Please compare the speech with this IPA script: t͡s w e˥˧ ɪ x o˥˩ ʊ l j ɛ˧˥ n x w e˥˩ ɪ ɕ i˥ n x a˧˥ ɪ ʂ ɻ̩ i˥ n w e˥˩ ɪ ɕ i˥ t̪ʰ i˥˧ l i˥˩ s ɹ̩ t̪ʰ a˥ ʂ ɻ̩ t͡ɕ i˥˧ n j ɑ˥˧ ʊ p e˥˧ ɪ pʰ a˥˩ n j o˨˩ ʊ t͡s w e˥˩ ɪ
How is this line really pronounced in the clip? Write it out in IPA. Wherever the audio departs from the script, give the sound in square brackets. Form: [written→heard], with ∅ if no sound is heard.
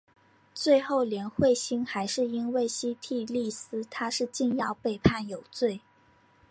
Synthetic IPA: t͡s w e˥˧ ɪ x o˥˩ ʊ l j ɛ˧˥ n x w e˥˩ ɪ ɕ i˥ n x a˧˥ ɪ ʂ ɻ̩ i˥ n w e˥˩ ɪ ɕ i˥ t̪ʰ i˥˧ l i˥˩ s ɹ̩ t̪ʰ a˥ ʂ ɻ̩ t͡ɕ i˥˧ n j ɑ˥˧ ʊ p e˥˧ ɪ pʰ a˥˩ n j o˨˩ ʊ t͡s w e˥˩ ɪ